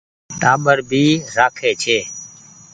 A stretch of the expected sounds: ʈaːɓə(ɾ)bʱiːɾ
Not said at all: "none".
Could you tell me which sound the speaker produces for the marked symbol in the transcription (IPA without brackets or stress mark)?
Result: ɾ